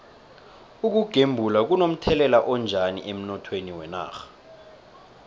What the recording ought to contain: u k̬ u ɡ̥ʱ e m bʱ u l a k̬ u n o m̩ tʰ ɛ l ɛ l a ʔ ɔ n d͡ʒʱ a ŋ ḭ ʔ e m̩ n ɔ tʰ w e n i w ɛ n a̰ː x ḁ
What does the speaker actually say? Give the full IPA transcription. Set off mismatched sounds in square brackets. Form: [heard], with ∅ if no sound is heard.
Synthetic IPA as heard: u k̬ u ɡ̥ʱ e m bʱ u l a k̬ u n o m̩ tʰ ɛ l ɛ l a ʔ ɔ n d͡ʒʱ a [n] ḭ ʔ e m̩ n ɔ tʰ w e n i w ɛ n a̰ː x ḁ